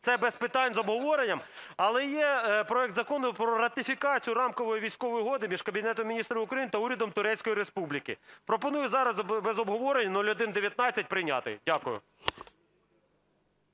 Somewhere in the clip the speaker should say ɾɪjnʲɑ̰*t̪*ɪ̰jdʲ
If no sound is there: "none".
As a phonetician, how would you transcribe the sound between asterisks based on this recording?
t̪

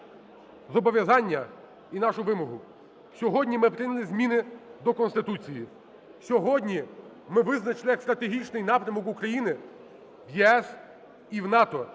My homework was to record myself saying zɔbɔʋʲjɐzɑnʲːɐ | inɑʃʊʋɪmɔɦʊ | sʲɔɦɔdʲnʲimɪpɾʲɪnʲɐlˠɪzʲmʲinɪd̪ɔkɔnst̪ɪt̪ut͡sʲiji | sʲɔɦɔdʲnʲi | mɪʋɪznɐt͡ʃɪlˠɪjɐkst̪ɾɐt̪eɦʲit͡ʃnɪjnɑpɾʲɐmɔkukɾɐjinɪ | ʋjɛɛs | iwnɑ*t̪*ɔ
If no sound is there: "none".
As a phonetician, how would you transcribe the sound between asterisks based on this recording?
t̪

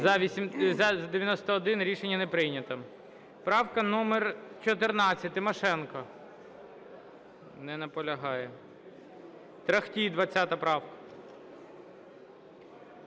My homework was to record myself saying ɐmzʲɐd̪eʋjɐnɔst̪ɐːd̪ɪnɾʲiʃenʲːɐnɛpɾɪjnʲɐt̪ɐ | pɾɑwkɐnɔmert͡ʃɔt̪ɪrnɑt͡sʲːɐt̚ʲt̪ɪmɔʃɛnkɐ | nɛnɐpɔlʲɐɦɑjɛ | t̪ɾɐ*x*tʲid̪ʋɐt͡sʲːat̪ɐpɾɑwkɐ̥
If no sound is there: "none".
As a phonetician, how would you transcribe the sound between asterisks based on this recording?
x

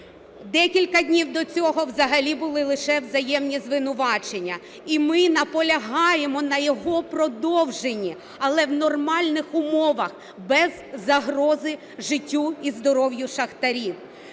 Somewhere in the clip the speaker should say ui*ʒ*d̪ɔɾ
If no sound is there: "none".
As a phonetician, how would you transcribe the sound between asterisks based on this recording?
z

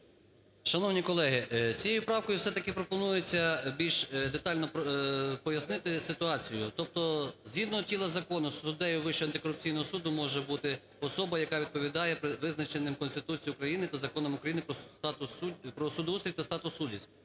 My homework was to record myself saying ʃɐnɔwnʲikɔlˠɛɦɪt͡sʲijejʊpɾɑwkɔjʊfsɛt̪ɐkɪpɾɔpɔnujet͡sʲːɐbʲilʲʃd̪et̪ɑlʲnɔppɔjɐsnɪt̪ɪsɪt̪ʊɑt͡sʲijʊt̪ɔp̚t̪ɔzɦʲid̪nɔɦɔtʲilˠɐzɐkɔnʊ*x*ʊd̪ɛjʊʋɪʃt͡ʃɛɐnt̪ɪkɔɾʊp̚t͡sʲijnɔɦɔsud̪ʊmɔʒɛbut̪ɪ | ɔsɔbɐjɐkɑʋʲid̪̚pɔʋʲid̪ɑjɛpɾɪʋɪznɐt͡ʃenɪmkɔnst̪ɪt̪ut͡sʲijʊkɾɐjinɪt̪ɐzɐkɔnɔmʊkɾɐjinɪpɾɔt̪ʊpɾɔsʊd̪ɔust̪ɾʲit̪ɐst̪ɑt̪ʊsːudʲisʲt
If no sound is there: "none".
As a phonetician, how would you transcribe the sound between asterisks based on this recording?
s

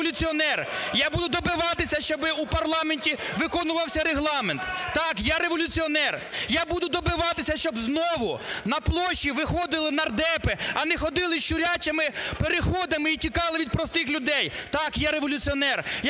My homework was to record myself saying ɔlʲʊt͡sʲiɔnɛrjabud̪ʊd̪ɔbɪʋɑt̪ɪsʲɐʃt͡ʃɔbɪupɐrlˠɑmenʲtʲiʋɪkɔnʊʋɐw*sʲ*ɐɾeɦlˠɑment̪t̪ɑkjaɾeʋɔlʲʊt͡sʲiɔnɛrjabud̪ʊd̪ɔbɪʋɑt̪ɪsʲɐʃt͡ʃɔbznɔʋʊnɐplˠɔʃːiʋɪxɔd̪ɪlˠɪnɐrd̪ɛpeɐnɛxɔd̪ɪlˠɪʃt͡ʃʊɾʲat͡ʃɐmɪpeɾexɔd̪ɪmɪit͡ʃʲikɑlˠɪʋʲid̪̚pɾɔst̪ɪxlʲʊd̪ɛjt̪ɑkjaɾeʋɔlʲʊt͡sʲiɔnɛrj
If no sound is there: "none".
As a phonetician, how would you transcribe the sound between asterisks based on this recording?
sʲ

